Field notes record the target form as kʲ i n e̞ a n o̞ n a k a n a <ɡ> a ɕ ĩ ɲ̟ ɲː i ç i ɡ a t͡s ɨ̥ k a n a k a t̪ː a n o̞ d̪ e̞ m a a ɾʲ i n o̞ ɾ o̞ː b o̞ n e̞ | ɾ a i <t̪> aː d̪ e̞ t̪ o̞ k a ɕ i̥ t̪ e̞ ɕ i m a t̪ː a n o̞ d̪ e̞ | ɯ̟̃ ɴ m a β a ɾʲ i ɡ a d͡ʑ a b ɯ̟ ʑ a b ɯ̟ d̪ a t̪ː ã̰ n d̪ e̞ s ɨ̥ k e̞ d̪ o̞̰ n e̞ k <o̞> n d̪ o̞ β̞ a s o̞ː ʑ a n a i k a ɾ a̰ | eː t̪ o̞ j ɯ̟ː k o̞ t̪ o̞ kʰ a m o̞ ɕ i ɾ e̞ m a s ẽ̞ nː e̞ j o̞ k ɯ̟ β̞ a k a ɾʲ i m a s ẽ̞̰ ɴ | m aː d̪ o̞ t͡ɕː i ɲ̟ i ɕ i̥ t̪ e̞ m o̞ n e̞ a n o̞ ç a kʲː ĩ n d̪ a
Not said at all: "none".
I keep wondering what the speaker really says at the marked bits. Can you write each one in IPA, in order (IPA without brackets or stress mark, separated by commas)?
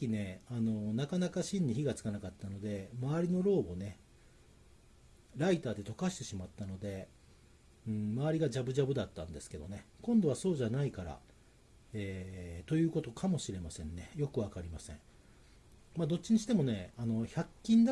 k, t̪, õ̞